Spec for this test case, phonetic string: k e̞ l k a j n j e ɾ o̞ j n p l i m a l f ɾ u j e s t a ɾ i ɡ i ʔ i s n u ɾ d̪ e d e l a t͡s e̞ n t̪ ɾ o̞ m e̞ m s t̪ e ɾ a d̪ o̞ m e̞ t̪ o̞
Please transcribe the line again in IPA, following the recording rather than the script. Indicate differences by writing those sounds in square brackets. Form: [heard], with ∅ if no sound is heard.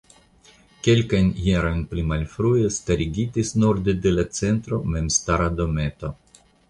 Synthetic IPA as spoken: k e̞ l k a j n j e ɾ o̞ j n p l i m a l f ɾ u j e s t a ɾ i ɡ i [t] i s n u ɾ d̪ e d e l a t͡s e̞ n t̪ ɾ o̞ m e̞ m s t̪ [a] ɾ a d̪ o̞ m e̞ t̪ o̞